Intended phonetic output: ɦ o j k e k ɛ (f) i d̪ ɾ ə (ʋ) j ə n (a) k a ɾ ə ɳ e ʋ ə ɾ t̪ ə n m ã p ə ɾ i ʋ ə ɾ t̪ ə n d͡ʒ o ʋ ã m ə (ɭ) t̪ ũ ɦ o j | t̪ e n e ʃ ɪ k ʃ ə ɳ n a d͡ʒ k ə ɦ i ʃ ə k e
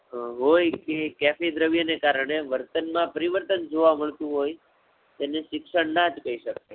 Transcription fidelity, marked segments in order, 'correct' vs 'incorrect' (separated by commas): correct, correct, incorrect, correct